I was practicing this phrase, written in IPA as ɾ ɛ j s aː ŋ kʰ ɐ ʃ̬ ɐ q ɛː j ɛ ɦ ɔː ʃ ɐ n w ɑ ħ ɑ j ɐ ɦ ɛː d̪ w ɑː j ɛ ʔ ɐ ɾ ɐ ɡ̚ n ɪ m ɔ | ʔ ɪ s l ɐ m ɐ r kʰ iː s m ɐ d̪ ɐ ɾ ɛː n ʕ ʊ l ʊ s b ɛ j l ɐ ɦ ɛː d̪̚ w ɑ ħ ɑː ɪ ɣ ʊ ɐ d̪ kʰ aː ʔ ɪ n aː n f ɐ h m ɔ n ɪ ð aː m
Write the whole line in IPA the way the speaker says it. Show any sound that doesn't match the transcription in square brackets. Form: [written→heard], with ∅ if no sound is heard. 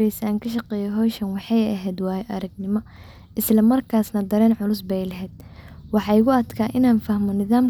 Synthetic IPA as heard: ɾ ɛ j s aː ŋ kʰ ɐ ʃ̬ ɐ q ɛː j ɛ ɦ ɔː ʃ ɐ n w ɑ ħ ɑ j ɐ ɦ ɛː d̪ w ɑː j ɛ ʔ ɐ ɾ ɐ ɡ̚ n ɪ m ɔ | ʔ ɪ s l ɐ m ɐ r kʰ [iː→aː] s [m→n] ɐ d̪ ɐ ɾ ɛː n ʕ ʊ l ʊ s b ɛ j l ɐ ɦ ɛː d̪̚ w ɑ ħ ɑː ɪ ɣ ʊ ɐ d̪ kʰ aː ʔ ɪ n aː n f ɐ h m ɔ n ɪ ð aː m